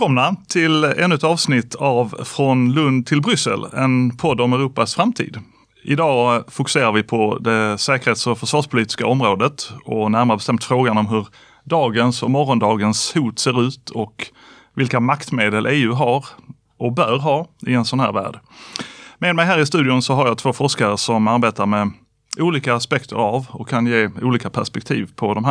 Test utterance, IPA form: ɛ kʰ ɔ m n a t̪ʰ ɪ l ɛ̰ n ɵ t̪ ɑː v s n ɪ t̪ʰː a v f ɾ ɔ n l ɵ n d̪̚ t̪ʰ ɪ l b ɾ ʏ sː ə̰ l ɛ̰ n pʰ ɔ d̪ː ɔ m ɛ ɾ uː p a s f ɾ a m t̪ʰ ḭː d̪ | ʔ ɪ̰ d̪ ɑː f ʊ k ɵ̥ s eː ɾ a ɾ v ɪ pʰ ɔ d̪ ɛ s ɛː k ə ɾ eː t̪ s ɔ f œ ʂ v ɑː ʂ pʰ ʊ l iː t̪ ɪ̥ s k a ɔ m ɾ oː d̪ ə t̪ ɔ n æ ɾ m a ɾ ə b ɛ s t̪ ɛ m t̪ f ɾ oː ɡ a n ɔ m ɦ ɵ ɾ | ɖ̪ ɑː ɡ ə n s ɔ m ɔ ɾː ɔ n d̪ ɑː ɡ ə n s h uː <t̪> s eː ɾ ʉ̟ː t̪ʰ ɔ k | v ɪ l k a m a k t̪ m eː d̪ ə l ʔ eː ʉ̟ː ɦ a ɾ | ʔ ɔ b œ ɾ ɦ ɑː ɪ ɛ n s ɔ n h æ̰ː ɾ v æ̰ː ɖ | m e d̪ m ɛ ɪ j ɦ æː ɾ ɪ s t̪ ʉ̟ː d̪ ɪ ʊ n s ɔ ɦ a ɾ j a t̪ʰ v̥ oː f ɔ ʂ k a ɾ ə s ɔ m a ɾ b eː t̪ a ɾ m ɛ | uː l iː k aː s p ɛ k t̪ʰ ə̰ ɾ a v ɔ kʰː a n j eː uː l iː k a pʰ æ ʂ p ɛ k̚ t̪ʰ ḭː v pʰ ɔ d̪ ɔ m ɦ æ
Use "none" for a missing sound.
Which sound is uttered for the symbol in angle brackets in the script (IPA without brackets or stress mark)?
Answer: t̪